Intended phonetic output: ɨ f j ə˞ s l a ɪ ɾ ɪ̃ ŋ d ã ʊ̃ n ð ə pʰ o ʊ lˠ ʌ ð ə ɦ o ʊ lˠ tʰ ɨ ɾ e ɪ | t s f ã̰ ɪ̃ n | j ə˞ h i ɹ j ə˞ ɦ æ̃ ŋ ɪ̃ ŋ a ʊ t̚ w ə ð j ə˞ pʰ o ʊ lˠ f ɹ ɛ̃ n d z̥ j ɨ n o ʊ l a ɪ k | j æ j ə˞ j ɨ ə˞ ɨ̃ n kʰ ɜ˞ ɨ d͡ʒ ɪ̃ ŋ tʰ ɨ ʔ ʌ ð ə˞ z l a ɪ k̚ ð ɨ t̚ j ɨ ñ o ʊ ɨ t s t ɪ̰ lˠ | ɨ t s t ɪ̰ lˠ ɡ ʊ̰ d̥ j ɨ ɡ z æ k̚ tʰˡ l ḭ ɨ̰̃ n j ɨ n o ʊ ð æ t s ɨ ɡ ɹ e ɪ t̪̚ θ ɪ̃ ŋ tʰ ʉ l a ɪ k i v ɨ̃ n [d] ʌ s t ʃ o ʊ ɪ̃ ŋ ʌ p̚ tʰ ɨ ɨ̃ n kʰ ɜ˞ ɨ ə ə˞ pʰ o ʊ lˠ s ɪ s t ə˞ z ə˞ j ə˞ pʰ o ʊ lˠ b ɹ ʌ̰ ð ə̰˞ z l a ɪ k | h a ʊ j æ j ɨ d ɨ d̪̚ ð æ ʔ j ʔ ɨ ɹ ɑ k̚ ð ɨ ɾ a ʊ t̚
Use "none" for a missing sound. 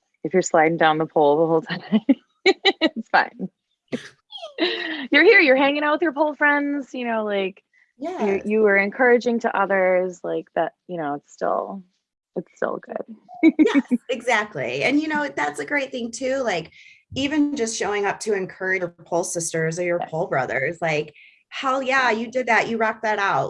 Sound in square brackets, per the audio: d͡ʒ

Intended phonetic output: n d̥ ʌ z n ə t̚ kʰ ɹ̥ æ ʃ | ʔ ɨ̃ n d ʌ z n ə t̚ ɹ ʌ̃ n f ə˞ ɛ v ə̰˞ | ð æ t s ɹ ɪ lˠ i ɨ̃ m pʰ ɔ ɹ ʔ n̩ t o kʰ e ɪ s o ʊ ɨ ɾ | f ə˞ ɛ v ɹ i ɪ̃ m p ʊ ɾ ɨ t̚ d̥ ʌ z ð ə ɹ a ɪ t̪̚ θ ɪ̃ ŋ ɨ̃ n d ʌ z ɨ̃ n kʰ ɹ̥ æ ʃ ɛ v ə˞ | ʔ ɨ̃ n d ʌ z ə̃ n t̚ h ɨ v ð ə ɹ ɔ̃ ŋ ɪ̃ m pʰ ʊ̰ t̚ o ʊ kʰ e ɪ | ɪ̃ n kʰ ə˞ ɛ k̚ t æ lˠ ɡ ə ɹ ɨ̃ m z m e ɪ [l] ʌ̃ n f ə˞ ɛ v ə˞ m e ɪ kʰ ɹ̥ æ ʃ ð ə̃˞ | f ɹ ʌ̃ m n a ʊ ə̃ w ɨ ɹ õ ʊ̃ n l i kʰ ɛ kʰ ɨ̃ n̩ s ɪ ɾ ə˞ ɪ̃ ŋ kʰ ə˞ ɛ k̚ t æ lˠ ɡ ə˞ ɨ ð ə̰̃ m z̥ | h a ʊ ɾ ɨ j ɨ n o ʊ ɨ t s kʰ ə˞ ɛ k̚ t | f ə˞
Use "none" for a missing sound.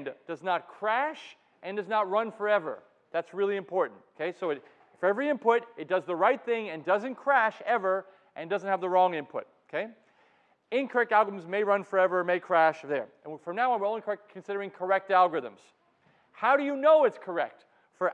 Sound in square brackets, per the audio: ɹ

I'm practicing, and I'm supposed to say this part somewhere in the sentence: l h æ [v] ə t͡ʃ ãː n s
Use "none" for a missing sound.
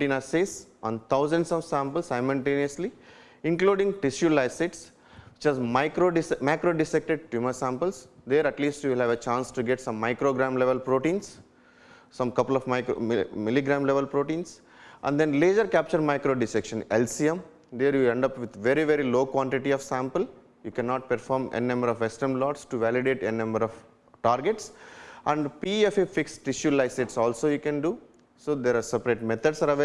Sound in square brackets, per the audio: ʋ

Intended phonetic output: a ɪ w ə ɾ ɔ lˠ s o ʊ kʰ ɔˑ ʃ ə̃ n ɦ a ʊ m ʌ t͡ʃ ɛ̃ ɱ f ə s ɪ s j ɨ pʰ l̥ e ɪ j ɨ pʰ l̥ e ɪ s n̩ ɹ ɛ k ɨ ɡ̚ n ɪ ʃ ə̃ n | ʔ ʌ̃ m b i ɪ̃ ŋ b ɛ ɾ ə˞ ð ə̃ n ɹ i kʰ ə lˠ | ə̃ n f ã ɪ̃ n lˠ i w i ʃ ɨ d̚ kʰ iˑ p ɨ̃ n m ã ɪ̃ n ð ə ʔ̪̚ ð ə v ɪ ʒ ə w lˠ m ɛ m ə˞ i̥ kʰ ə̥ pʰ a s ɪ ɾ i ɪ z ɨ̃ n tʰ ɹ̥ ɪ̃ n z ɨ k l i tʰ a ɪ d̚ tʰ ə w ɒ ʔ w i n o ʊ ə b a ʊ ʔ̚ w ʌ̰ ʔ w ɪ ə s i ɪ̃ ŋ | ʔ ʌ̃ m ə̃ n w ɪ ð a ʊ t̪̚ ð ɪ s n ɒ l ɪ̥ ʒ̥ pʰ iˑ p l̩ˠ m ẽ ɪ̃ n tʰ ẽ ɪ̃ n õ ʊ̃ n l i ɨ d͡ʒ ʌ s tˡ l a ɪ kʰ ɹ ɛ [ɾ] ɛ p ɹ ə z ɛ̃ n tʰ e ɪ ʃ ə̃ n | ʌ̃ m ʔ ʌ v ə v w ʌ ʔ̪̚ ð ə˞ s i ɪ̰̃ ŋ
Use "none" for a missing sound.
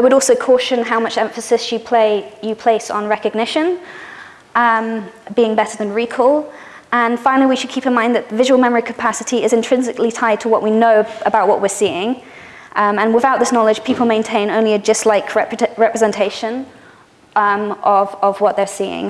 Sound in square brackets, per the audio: ɹ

